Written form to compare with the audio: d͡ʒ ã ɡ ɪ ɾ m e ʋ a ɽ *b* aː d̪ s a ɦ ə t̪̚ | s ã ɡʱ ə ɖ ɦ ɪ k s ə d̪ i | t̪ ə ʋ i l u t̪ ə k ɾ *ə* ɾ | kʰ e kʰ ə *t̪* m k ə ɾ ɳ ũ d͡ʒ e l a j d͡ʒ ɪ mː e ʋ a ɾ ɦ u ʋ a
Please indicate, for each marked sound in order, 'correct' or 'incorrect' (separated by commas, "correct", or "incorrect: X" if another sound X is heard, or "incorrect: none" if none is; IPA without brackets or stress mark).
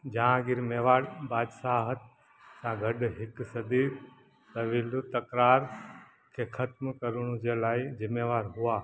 correct, incorrect: a, correct